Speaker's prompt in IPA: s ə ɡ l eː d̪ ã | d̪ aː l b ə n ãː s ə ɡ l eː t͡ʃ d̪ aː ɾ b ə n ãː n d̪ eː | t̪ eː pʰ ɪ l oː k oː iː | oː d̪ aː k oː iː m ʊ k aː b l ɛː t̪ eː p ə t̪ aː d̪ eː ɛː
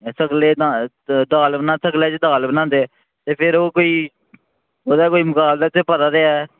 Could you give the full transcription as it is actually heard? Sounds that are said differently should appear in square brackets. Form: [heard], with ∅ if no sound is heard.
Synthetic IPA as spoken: s ə ɡ l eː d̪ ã | d̪ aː l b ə n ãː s ə ɡ l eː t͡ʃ d̪ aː [l] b ə n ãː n d̪ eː | t̪ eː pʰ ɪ [ɾ] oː k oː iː | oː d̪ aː k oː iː m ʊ k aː b l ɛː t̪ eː p ə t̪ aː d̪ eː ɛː